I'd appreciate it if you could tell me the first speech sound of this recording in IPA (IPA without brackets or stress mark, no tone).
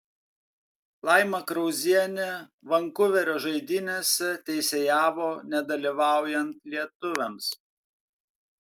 lˠ